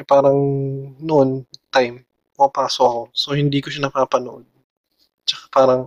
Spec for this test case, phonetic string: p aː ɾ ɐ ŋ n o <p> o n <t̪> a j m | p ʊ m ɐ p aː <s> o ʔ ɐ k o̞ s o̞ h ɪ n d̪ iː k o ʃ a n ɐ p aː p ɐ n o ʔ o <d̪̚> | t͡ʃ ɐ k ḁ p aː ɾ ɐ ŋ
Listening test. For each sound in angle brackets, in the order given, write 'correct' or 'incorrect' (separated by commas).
incorrect, correct, correct, correct